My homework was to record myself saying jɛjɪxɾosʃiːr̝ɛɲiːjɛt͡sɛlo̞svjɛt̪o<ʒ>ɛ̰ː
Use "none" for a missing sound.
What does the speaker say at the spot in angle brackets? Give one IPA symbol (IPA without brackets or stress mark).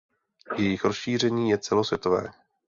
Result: v